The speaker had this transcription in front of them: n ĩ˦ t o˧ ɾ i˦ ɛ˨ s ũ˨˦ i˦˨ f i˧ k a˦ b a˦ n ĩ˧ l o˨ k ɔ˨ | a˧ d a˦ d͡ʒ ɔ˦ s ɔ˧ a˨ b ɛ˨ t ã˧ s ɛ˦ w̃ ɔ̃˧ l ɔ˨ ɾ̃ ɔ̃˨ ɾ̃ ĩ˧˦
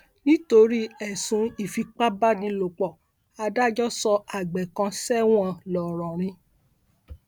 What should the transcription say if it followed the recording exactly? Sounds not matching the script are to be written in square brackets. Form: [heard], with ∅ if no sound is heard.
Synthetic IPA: n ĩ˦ t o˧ ɾ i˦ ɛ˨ s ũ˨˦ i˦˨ f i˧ [k͡p] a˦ b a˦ n ĩ˧ l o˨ [k͡p] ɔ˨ | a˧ d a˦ d͡ʒ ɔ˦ s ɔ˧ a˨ [ɡ͡b] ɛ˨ [k] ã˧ s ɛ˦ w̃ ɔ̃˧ l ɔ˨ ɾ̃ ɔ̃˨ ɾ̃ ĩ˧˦

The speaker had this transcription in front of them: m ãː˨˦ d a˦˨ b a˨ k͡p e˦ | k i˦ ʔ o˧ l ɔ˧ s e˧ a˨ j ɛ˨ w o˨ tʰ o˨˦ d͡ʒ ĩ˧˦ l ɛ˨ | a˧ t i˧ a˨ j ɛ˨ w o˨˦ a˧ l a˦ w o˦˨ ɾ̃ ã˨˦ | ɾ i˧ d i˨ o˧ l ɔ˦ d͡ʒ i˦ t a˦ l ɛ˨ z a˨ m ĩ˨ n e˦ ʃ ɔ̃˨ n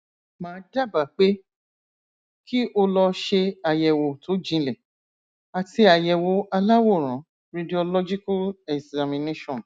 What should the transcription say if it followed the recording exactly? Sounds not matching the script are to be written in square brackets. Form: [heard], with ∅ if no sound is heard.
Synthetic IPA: m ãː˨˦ d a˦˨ b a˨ k͡p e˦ | k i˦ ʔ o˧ l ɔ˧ [ʃ] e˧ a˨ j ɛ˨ w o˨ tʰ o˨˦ d͡ʒ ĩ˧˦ l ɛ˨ | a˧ t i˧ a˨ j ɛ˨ w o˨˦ a˧ l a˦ w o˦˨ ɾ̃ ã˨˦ | ɾ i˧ d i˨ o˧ l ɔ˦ d͡ʒ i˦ [k] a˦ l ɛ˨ z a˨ m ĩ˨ n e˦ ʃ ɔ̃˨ n

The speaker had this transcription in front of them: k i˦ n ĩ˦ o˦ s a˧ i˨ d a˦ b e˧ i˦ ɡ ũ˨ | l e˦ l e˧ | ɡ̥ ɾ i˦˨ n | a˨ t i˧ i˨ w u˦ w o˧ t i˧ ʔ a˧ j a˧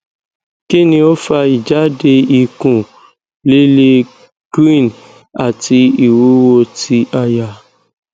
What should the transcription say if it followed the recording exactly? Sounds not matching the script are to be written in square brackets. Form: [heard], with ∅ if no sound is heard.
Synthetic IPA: k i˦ n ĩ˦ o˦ [f] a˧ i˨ [d͡ʒ] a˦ [d] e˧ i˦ [k] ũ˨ | l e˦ l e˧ | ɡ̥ ɾ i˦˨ n | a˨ t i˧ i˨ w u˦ w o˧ t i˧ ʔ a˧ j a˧

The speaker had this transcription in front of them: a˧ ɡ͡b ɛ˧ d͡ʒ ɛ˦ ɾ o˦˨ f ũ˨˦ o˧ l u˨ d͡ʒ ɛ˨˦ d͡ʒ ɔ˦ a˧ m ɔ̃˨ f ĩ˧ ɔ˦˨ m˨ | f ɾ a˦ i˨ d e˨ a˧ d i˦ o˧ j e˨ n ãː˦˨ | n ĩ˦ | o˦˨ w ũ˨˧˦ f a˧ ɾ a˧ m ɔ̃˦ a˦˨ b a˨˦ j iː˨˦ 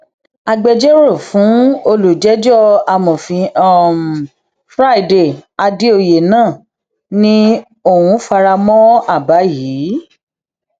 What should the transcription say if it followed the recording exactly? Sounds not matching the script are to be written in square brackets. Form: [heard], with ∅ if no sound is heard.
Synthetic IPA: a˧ ɡ͡b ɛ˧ d͡ʒ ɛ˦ ɾ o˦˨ f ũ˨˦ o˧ l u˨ d͡ʒ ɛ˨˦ d͡ʒ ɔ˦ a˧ m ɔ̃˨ f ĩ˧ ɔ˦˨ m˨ | f ɾ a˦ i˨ d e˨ a˧ d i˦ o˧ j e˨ n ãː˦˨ | n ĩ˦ | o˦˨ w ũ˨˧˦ f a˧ ɾ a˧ m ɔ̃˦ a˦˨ b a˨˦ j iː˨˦

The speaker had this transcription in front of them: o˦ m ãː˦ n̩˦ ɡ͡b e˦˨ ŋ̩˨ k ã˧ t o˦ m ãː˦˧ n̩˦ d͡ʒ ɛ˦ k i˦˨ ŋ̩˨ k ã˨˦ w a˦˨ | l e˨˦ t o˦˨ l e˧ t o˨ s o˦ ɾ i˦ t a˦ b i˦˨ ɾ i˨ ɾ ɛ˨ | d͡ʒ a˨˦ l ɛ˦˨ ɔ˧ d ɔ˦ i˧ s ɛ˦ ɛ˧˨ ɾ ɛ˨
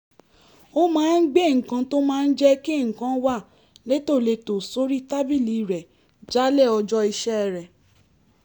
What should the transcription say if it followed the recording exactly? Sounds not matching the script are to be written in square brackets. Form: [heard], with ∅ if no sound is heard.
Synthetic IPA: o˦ m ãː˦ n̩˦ ɡ͡b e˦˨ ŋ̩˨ k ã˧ t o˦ m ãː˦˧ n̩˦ d͡ʒ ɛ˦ k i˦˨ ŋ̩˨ k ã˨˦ w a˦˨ | l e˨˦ t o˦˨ l e˧ t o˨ s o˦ ɾ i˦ t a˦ b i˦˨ [l] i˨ ɾ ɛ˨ | d͡ʒ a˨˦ l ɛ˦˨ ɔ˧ [d͡ʒ] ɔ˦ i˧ [ʃ] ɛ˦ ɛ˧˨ ɾ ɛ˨

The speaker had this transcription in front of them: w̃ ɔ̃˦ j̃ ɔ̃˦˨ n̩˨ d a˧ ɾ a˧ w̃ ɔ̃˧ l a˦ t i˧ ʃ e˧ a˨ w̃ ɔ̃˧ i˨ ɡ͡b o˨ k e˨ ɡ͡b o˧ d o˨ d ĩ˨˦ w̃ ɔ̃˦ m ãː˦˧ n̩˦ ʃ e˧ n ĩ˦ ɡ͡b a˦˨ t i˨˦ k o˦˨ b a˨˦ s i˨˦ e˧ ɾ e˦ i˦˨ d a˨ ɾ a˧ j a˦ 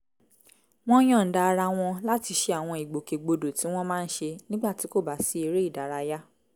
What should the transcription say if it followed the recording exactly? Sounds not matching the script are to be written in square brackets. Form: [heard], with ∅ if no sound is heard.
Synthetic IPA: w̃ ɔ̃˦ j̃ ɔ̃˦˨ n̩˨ d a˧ ɾ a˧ w̃ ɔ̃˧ l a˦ t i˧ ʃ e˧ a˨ w̃ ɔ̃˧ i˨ ɡ͡b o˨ k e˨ ɡ͡b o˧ d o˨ [t] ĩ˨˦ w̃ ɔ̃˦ m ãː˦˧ n̩˦ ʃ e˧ n ĩ˦ ɡ͡b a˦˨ t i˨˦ k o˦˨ b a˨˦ s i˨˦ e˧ ɾ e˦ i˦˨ d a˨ ɾ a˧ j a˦

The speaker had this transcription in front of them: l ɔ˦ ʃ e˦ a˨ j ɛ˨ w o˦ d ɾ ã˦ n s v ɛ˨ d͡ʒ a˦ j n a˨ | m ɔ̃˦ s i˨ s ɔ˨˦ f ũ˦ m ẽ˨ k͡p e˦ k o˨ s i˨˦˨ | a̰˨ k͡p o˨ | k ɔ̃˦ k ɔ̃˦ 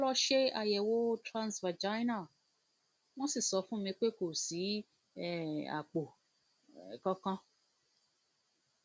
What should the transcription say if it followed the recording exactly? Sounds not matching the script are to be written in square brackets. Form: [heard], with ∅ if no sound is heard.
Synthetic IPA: l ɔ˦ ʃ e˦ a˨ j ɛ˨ w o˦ [t] ɾ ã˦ n s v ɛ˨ d͡ʒ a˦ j n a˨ | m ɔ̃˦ s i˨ s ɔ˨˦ f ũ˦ m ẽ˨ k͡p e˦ k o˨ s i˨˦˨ | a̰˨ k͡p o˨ | k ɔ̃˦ k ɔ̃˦

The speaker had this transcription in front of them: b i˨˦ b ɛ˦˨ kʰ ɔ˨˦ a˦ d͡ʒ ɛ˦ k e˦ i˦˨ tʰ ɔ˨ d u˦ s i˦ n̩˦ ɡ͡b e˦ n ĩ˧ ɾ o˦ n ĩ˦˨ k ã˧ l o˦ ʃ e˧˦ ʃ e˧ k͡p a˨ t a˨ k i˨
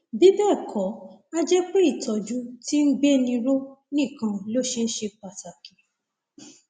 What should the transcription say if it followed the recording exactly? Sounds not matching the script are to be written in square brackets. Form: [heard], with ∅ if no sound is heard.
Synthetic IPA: b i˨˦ b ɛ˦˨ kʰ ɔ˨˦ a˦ d͡ʒ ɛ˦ [k͡p] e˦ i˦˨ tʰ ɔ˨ [d͡ʒ] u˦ [t] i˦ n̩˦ ɡ͡b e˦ n ĩ˧ ɾ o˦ n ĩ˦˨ k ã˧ l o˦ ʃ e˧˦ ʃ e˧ k͡p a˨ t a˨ k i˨

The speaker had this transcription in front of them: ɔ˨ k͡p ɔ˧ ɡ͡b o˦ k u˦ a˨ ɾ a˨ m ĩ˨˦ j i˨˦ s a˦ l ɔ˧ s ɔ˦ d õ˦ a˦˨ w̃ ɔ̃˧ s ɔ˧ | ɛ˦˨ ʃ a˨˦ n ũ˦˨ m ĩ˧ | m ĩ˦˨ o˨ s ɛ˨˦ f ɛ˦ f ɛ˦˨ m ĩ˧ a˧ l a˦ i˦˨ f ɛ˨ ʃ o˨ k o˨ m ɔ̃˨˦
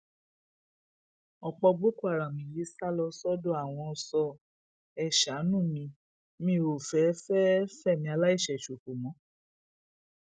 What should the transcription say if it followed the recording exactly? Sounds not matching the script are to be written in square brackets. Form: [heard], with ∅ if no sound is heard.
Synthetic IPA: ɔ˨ k͡p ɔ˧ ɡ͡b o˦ k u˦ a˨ ɾ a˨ m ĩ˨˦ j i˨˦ s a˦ l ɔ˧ s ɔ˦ d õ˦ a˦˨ w̃ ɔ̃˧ s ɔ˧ | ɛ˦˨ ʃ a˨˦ n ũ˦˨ m ĩ˧ | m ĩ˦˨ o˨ [f] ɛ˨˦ f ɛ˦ f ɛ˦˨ m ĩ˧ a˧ l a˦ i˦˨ [ʃ] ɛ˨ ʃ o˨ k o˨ m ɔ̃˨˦

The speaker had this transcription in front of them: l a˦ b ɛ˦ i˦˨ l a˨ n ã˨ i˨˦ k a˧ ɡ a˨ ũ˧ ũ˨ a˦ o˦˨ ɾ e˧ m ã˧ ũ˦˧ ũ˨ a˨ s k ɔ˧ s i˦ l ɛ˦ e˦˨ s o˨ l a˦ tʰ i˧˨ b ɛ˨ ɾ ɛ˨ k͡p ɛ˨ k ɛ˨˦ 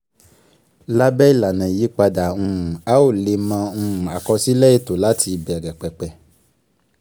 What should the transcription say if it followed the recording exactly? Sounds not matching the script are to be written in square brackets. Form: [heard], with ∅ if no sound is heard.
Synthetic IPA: l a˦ b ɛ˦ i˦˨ l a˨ n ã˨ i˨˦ [k͡p] a˧ [d] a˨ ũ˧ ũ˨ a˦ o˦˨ [l] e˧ m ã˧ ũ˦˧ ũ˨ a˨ [∅] k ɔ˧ s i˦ l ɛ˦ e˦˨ [t] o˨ l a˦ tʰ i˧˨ b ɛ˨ ɾ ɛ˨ k͡p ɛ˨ [k͡p] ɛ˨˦

